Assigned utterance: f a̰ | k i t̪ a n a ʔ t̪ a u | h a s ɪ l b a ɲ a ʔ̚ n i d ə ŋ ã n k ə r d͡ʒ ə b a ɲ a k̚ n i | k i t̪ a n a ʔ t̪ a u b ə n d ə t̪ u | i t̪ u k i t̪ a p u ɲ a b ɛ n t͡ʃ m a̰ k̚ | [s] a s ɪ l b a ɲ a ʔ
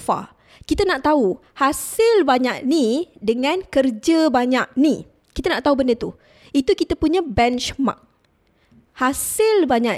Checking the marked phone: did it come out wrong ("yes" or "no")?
yes